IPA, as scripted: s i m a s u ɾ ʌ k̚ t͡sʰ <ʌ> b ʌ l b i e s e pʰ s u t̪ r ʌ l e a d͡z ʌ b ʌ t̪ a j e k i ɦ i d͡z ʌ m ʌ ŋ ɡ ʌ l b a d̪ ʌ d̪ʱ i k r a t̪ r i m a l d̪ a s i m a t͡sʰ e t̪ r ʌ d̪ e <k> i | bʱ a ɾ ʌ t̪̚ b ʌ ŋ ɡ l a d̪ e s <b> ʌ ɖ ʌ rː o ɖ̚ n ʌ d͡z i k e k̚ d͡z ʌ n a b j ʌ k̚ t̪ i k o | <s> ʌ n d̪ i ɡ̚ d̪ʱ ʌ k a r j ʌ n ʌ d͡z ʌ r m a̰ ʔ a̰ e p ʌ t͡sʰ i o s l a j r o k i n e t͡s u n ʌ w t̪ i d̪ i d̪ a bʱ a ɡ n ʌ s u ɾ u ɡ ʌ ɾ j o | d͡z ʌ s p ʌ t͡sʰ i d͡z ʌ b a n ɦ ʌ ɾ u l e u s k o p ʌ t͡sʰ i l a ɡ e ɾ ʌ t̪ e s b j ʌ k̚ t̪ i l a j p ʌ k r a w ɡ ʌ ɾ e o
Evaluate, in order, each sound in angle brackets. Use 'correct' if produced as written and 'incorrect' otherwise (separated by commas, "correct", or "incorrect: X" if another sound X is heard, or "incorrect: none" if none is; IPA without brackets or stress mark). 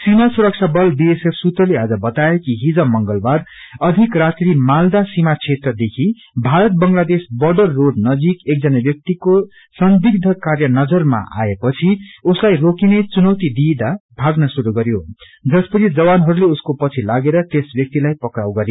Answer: incorrect: a, incorrect: kʰ, correct, correct